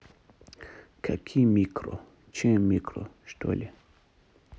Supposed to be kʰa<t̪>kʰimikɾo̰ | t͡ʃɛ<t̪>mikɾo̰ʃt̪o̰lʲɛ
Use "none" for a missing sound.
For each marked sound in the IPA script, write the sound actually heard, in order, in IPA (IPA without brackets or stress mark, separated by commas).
none, none